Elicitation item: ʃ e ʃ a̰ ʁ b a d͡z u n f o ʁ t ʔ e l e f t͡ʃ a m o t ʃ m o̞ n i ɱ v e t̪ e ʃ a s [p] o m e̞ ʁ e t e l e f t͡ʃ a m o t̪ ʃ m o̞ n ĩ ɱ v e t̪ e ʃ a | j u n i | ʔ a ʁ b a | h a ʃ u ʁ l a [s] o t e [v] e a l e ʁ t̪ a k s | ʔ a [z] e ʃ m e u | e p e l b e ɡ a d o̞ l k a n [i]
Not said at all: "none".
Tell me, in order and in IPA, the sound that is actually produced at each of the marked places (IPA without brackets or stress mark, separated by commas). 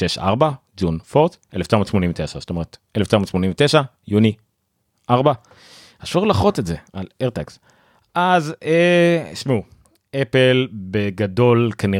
t, χ, z, z, i